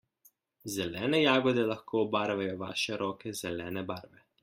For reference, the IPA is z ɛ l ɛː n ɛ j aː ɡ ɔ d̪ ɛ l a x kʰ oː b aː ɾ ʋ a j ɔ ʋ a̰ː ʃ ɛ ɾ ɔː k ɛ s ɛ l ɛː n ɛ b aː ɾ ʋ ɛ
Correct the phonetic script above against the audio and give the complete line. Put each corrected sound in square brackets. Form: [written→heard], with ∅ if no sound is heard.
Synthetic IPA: z ɛ l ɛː n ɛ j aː ɡ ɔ d̪ ɛ l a x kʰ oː b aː ɾ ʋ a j ɔ ʋ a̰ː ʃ ɛ ɾ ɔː k ɛ [s→z] ɛ l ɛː n ɛ b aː ɾ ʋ ɛ